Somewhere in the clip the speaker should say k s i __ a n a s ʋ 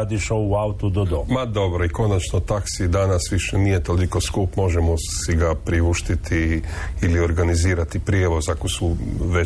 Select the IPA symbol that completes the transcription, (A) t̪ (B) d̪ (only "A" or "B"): B